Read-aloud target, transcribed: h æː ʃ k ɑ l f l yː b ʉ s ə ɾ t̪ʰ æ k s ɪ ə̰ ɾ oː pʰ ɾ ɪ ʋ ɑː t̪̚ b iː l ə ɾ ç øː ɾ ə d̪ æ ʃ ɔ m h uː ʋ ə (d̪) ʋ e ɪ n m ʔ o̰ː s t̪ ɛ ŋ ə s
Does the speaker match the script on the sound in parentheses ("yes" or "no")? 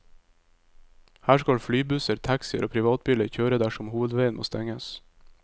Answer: yes